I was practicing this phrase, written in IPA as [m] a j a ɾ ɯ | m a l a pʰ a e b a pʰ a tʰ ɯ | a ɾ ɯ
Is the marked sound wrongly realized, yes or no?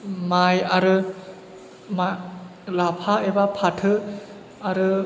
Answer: no